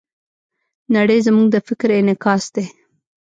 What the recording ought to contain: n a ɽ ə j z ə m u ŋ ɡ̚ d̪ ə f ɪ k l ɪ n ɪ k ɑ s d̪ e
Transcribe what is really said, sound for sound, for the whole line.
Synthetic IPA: n a ɽ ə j z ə m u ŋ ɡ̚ d̪ ə f ɪ k ɾ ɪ n ɪ k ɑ s d̪ e